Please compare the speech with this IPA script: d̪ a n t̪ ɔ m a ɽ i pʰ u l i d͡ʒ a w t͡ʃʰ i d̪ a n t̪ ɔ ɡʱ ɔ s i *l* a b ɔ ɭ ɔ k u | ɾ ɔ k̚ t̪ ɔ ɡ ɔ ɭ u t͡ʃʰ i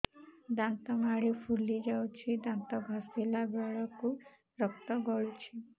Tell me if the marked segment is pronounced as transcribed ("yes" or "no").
yes